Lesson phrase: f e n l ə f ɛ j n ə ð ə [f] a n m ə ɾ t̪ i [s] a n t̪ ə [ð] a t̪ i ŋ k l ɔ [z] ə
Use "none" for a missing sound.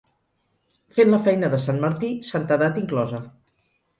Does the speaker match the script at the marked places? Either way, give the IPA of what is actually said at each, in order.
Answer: s, s, ð, z

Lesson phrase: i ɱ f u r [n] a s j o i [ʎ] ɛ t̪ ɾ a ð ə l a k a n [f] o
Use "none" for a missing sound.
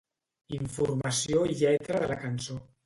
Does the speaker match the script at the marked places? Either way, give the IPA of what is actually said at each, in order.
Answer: m, ʎ, s

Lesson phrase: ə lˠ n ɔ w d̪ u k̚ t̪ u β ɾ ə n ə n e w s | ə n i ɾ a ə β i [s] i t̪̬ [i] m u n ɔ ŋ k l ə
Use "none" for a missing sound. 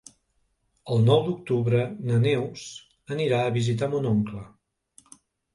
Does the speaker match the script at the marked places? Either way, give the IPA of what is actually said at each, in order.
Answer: z, a

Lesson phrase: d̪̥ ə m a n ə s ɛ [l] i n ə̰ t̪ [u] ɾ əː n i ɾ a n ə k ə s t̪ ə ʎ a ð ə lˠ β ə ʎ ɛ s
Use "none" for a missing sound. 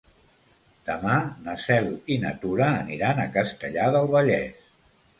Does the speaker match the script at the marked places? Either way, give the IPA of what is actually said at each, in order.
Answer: l, u

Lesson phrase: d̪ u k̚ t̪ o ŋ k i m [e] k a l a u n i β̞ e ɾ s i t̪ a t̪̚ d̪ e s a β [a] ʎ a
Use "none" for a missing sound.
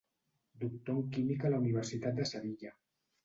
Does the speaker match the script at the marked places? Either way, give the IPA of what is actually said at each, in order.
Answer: i, i

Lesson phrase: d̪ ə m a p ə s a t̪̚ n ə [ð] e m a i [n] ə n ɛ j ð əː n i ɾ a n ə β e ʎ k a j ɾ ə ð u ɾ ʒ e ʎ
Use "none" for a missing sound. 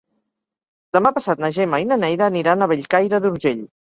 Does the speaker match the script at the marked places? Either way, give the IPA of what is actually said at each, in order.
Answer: ʒ, n

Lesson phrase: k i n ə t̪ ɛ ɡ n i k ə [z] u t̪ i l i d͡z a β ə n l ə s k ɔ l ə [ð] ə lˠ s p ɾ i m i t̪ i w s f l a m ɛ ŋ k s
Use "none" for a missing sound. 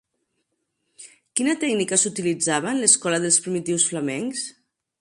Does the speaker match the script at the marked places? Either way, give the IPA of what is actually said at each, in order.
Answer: s, ð

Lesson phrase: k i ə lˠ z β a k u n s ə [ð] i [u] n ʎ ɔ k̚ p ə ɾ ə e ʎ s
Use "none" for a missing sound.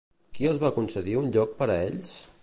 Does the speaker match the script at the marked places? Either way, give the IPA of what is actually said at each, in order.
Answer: ð, u

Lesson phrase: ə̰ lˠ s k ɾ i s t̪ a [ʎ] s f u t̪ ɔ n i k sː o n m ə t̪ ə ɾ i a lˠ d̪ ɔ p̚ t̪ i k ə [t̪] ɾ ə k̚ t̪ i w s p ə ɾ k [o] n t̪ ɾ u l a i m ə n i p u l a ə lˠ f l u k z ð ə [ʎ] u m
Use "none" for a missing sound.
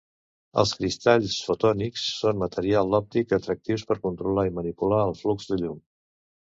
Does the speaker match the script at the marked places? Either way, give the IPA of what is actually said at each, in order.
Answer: ʎ, t̪, u, ʎ

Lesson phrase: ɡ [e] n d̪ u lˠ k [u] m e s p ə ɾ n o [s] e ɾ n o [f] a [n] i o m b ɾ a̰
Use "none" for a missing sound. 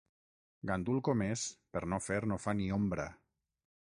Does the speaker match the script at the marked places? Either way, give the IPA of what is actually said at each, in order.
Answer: a, o, f, f, n

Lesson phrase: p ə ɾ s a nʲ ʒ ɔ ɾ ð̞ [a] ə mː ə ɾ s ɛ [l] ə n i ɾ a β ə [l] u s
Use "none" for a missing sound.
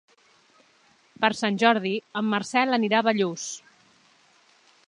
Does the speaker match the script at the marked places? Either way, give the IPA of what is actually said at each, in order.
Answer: i, l, ʎ

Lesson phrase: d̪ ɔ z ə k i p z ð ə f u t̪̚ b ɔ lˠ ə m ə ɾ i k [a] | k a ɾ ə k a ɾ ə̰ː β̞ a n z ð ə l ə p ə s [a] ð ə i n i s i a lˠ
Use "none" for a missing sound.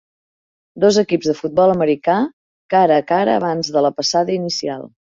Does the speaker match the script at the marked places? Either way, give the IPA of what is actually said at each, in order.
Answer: a, a

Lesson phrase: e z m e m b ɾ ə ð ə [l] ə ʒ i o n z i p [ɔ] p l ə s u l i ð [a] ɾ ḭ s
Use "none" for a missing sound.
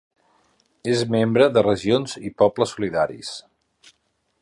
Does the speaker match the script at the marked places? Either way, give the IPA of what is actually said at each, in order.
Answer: r, ɔ, a

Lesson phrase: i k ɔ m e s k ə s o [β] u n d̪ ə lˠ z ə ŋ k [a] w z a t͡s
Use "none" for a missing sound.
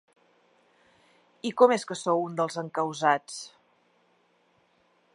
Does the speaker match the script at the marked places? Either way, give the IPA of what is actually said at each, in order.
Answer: w, ə

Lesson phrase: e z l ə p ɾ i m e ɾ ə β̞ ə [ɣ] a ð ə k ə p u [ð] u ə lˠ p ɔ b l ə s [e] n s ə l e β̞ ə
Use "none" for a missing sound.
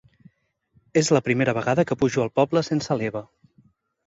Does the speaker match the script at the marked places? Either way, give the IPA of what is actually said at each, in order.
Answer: ɣ, ʒ, e

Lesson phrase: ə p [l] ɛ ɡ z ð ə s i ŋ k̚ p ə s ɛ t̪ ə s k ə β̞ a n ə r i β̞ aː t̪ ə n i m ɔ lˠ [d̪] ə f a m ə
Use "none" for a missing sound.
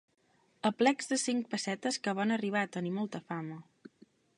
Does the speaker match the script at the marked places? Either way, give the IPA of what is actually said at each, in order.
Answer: l, t̪

